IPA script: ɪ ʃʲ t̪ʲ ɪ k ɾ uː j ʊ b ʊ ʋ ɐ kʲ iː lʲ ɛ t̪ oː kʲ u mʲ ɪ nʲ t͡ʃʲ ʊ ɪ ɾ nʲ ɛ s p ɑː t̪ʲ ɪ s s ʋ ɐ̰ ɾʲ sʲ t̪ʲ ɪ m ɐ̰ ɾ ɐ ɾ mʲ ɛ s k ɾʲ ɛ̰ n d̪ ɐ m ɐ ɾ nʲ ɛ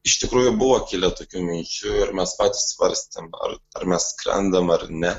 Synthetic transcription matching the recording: ɪ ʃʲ t̪ʲ ɪ k ɾ uː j ʊ b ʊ ʋ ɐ kʲ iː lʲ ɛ t̪ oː kʲ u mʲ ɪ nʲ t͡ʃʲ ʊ ɪ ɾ mʲ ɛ s p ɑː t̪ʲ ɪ s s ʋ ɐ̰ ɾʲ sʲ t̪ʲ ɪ m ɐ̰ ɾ ɐ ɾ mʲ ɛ s k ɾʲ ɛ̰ n d̪ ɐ m ɐ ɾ nʲ ɛ